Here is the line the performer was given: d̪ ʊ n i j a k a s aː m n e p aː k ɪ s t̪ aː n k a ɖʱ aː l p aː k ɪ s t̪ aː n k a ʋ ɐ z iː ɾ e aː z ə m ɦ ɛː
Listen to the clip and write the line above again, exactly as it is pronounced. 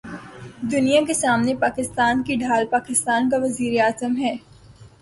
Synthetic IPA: d̪ ʊ n i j a k e s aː m n e p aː k ɪ s t̪ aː n k i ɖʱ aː l p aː k ɪ s t̪ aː n k a ʋ ɐ z iː ɾ e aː z ə m ɦ ɛː